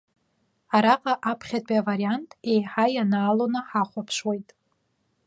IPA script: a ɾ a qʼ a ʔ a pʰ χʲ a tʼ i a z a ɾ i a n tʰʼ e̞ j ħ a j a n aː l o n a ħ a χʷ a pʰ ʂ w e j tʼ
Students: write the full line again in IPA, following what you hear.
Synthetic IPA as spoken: a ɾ a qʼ a ʔ a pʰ χʲ a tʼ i a v a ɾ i a n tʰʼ e̞ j ħ a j a n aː l o n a ħ a χʷ a pʰ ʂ w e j tʼ